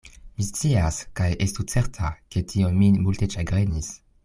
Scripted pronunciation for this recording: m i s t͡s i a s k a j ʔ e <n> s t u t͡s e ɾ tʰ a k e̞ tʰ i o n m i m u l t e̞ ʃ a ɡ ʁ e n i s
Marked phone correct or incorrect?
incorrect